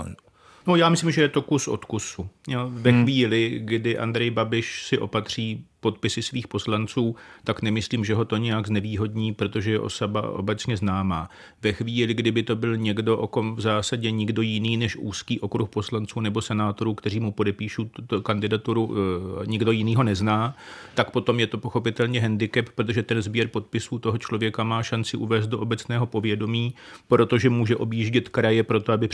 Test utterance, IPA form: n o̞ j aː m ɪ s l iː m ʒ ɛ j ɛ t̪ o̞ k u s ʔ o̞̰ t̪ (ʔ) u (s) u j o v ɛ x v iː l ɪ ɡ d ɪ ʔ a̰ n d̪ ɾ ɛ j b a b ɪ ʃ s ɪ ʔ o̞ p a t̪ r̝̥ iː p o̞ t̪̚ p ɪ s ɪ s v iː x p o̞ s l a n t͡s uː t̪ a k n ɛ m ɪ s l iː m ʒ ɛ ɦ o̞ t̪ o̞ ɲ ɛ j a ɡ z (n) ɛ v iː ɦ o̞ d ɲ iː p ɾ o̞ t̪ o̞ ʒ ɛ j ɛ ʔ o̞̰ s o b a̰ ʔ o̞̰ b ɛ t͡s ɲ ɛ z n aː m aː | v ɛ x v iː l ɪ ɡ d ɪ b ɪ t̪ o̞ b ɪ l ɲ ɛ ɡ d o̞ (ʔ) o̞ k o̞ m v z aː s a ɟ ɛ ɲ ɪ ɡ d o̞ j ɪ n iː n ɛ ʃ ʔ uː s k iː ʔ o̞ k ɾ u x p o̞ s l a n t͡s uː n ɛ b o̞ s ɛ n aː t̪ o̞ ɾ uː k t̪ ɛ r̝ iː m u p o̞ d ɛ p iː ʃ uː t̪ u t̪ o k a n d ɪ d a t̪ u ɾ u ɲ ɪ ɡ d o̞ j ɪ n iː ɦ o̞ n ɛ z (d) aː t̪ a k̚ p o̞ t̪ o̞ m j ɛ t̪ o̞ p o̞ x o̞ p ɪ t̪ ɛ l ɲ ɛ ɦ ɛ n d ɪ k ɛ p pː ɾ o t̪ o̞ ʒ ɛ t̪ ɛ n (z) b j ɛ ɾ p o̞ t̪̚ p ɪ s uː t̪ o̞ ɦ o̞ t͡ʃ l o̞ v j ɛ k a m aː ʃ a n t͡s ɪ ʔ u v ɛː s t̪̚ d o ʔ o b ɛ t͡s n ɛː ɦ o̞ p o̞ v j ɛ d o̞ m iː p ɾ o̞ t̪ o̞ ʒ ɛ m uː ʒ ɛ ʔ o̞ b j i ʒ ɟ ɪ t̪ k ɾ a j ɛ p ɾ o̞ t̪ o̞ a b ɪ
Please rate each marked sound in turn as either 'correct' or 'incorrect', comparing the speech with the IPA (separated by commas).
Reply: incorrect, correct, correct, correct, incorrect, correct